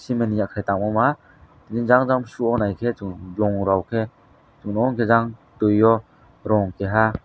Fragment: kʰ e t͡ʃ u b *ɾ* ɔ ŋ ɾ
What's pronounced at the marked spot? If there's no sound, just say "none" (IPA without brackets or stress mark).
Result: l